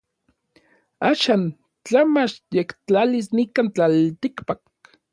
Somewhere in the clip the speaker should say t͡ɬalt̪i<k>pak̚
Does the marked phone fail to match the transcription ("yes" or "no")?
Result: no